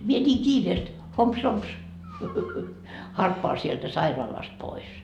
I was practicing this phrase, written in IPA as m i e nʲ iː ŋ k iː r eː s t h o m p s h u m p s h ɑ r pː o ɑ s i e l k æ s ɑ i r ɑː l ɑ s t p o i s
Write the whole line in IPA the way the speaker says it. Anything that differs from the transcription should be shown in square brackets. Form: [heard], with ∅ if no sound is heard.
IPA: m i e nʲ iː ŋ k iː r eː s t h o m p s h [o] m p s h ɑ r pː o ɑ s i e l [t] æ s ɑ i r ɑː l ɑ s t p o i s